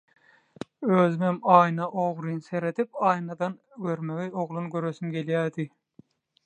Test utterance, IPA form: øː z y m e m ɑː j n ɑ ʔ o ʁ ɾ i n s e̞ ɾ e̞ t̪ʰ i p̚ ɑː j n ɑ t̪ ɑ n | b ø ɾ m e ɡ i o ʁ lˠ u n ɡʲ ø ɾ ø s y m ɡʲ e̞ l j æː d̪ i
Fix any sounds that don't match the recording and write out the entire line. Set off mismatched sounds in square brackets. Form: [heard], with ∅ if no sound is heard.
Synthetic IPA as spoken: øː z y m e m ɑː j n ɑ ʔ o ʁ ɾ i n s e̞ ɾ e̞ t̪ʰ i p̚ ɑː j n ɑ [d̪] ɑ n | [ɡ] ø ɾ m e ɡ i o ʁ lˠ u n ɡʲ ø ɾ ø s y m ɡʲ e̞ l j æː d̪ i